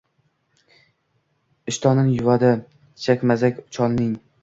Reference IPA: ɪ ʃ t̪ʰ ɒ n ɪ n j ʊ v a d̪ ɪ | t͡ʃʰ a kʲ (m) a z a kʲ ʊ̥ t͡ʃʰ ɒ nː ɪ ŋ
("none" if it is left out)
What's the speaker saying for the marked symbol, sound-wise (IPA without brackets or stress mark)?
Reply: m